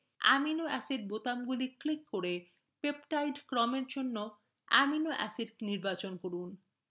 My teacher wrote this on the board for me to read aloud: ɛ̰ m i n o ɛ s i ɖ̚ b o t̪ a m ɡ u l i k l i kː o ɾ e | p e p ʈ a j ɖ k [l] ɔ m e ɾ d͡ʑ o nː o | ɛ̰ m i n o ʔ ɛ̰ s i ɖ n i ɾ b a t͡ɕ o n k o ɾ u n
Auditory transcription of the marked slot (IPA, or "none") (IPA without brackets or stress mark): ɾ